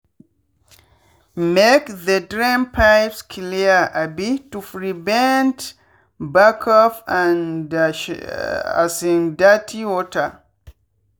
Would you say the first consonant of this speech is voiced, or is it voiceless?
voiced